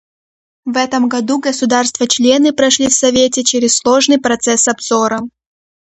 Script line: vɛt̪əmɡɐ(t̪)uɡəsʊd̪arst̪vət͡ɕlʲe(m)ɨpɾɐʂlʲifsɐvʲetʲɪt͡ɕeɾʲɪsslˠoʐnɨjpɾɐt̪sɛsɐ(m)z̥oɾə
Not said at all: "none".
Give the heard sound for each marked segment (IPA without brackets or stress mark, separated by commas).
d̪, n, b